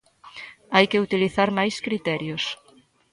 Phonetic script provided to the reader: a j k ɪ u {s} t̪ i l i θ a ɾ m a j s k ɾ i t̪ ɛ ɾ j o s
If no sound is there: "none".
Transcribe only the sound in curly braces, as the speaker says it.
none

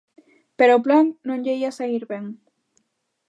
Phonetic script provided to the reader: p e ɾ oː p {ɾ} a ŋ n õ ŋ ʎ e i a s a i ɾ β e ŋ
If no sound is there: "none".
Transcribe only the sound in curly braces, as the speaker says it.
l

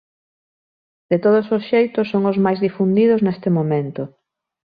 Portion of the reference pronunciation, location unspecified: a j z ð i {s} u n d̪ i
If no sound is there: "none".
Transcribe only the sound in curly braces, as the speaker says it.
f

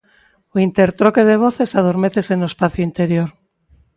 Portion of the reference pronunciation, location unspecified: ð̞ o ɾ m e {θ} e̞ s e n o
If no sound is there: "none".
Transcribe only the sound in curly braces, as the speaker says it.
θ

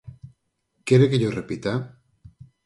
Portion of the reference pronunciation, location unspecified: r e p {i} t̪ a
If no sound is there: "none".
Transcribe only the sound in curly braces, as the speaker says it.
i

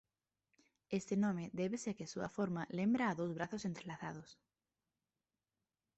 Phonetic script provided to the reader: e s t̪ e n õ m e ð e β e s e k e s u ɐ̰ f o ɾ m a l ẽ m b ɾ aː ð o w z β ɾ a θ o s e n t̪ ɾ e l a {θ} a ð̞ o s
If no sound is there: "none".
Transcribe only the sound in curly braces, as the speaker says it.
θ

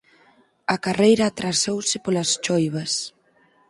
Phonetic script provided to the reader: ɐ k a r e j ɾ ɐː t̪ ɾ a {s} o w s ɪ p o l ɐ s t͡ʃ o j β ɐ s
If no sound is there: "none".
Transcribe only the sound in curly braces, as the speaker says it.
s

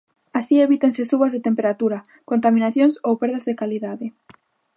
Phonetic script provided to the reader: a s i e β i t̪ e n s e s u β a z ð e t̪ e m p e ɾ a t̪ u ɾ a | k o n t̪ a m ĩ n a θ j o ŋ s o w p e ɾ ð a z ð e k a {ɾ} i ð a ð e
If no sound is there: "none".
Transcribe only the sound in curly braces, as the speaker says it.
l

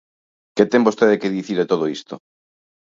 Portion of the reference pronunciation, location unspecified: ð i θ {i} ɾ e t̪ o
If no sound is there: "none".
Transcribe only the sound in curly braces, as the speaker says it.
i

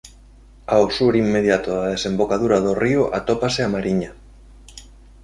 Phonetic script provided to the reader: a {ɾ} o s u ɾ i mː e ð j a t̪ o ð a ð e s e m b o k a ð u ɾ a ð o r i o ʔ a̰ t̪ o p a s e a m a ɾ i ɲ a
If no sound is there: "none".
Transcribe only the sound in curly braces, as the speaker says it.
none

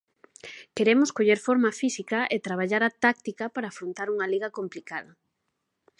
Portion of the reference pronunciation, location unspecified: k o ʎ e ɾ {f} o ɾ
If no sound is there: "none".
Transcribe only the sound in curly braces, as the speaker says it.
f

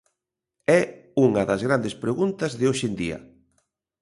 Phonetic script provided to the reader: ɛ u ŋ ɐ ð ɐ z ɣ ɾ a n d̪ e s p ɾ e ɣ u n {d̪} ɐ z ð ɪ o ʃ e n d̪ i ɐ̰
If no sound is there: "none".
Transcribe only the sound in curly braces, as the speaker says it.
t̪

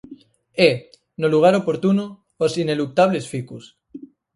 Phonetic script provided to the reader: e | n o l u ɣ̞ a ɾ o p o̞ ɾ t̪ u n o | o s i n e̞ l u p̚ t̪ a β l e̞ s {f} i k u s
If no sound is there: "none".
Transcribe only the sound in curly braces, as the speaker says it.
f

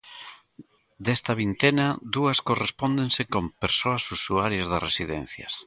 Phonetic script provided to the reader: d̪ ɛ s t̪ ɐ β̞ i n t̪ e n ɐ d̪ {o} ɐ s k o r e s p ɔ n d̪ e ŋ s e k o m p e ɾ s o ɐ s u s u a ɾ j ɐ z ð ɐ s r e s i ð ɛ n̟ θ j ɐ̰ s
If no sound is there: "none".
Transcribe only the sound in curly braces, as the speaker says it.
u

